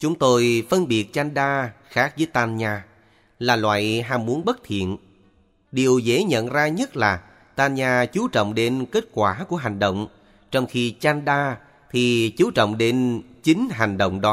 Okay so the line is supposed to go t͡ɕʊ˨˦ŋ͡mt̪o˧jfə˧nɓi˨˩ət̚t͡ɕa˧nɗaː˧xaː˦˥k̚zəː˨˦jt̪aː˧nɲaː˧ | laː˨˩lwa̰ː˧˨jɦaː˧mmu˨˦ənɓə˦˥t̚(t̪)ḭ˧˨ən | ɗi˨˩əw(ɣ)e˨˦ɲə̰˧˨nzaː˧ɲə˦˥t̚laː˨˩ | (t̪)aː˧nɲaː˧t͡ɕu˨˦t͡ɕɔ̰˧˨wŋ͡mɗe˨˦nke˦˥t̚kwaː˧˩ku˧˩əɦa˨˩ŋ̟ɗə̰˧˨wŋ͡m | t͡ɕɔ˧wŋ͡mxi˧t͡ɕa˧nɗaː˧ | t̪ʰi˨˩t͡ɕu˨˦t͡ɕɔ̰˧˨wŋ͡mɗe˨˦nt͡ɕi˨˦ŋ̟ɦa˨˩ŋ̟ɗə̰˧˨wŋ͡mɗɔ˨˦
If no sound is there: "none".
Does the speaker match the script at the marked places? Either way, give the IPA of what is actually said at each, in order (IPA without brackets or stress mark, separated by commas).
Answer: t̪ʰ, z, t̪